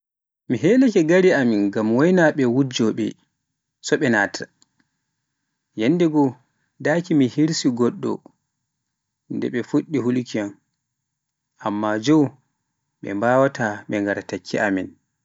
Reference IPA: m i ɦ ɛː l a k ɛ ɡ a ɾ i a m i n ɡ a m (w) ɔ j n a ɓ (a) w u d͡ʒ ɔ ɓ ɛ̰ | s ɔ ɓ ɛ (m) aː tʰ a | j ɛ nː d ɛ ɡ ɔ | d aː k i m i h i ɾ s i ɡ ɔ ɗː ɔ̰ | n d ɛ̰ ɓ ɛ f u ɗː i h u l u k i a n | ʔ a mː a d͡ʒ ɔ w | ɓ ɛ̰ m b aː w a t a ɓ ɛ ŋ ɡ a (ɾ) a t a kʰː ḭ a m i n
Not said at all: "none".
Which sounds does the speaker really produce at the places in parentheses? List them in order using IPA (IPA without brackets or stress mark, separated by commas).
w, ɛ, n, ɾ